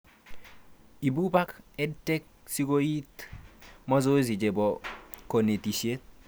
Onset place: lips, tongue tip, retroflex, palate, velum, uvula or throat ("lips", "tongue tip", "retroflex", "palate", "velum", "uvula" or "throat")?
lips